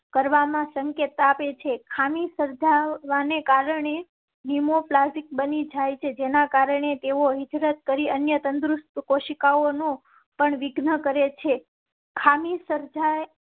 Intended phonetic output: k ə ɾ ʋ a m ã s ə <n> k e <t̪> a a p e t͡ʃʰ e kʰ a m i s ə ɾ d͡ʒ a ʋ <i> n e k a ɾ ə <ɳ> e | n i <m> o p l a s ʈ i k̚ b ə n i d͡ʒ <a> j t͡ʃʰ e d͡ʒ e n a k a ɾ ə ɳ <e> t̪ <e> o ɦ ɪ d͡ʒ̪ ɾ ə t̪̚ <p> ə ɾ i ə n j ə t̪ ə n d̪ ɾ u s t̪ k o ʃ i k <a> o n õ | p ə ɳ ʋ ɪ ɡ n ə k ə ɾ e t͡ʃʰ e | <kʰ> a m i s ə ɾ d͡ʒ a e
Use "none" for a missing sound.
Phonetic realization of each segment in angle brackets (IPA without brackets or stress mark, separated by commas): ŋ, t̪, a, ɳ, m, a, e, e, k, a, kʰ